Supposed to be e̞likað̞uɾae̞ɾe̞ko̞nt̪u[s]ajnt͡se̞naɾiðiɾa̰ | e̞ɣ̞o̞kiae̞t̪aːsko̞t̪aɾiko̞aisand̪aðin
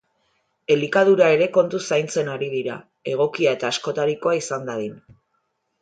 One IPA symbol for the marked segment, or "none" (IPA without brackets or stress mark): s